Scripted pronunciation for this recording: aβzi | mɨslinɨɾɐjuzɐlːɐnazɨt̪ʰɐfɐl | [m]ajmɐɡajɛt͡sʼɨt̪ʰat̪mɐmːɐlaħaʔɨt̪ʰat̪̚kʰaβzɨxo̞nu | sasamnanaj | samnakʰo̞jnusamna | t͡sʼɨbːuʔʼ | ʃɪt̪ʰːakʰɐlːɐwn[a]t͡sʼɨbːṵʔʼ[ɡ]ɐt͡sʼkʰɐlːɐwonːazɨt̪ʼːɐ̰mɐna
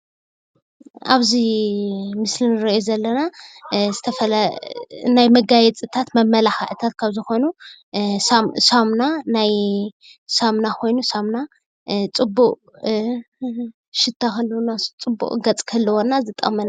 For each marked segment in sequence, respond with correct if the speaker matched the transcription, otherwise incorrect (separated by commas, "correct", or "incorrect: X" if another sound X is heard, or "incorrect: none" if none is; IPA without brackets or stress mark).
incorrect: n, correct, correct